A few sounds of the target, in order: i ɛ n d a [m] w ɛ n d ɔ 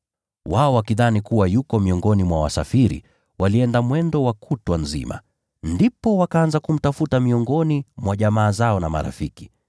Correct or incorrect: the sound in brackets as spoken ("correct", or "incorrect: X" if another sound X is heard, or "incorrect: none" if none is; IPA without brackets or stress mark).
correct